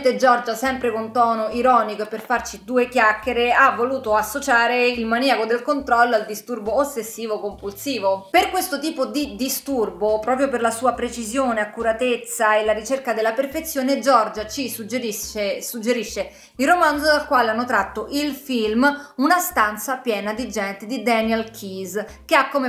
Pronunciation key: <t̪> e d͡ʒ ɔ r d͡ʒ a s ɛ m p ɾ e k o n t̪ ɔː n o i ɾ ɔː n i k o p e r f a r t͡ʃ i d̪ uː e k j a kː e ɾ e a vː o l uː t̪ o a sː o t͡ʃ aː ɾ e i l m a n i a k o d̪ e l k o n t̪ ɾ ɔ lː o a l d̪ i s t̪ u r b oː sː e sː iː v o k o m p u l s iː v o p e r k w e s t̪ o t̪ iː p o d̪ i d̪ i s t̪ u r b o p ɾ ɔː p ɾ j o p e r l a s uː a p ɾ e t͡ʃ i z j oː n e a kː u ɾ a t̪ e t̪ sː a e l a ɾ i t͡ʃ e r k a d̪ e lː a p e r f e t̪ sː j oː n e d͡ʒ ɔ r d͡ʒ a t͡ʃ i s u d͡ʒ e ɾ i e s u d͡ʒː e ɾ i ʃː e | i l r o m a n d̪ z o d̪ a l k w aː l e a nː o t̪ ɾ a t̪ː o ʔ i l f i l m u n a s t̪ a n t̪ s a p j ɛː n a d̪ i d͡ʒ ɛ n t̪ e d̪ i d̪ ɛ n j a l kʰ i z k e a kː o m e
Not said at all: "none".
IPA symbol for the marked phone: t̪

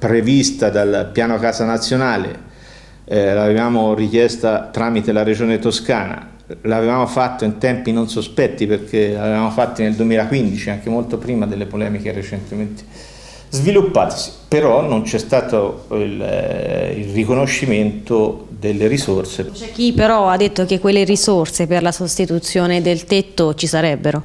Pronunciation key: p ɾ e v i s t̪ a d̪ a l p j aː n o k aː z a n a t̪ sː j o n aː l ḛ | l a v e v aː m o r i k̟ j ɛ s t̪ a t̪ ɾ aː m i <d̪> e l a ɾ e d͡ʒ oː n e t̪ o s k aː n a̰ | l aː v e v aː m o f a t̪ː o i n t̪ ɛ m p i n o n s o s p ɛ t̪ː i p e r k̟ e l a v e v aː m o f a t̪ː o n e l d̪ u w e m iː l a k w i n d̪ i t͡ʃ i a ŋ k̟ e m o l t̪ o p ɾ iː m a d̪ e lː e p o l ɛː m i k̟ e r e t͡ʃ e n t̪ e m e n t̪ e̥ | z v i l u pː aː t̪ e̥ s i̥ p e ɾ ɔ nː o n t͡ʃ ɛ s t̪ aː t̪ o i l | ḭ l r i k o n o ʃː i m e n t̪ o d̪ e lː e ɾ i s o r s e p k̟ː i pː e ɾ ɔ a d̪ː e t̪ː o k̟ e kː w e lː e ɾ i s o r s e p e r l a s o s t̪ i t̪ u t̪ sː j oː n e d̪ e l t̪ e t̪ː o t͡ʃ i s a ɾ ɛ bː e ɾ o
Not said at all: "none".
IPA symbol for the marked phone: t̪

